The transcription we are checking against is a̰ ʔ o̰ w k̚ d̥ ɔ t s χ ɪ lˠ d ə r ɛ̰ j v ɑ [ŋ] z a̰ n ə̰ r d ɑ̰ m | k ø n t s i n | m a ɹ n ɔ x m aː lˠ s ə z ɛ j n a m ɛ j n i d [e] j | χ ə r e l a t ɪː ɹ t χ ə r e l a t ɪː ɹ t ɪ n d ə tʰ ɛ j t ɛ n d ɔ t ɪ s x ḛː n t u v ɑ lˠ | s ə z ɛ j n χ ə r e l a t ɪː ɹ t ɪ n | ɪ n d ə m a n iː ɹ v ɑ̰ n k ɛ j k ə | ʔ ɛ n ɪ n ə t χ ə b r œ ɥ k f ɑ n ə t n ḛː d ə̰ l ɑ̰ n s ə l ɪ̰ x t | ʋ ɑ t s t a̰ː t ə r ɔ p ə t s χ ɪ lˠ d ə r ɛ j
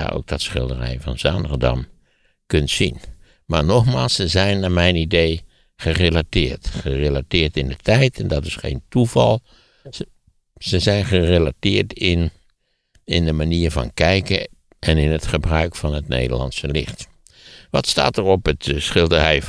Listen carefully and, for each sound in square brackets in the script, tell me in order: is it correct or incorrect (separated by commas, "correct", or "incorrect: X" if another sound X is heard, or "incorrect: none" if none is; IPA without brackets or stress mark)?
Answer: incorrect: n, correct